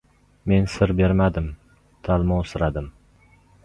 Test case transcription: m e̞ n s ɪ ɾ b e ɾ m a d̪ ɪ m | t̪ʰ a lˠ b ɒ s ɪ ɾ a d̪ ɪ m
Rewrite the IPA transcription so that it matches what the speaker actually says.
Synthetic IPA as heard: m e̞ n s ɪ ɾ b e ɾ m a d̪ ɪ m | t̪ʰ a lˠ m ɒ s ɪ ɾ a d̪ ɪ m